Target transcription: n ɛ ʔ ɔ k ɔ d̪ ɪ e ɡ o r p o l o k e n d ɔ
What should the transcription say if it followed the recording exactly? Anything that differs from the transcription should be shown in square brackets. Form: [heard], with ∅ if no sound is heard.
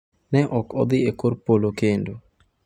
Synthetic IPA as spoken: n ɛ ʔ ɔ k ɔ d̪ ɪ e [k] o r p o l o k e n d [o]